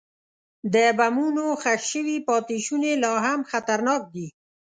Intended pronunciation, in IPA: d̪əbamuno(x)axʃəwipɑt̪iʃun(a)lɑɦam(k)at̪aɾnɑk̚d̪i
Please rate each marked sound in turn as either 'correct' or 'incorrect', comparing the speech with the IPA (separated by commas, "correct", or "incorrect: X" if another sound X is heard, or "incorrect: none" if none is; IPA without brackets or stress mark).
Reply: correct, incorrect: e, incorrect: x